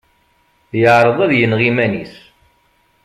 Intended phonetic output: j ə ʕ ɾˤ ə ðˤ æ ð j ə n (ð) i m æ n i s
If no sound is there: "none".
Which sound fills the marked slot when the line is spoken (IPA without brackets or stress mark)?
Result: ʁ